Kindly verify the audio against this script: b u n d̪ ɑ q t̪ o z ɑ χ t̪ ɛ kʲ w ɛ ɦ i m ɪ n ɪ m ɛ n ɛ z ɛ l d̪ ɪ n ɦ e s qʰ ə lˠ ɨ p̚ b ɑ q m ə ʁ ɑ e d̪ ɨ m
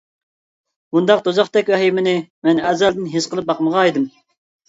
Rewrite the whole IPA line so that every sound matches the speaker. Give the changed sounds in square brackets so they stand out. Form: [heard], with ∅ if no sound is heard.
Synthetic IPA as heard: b u n d̪ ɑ q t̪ o z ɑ χ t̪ ɛ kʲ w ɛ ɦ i m ɪ n ɪ m ɛ n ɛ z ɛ l d̪ ɪ n ɦ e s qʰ ə lˠ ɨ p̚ b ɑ q m ə ʁ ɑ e d̪ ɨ m